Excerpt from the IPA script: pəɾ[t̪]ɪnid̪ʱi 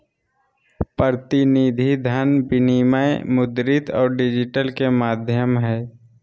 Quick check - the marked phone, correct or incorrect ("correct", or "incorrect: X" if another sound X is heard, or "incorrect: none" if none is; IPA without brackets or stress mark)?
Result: correct